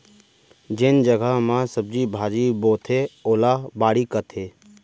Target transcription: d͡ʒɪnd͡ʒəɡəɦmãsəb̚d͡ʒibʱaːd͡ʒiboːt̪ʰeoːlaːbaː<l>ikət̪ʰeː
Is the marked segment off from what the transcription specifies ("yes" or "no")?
yes